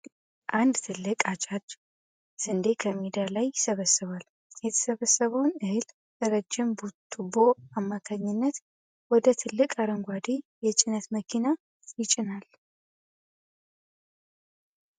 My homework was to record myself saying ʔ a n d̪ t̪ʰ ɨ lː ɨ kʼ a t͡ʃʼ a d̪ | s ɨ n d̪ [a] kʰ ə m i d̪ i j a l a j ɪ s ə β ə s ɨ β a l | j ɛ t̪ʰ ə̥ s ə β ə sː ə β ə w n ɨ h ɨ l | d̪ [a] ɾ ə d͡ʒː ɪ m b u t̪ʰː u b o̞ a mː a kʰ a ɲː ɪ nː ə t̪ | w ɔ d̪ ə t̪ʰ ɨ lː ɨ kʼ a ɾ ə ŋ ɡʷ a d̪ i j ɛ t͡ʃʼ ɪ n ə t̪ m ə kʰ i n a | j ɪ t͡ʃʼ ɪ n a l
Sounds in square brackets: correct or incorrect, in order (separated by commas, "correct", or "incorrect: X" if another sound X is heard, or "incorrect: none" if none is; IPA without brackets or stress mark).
incorrect: e, incorrect: ə